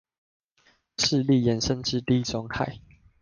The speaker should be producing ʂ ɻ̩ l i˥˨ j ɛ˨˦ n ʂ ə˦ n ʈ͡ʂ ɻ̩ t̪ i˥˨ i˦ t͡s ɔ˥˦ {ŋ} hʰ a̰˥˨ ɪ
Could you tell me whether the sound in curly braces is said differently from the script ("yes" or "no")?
no